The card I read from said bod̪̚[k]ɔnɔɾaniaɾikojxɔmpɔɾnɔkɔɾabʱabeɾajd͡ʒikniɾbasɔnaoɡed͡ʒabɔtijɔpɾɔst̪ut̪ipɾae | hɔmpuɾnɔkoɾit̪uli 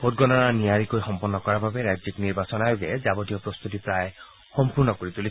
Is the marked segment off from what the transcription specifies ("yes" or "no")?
yes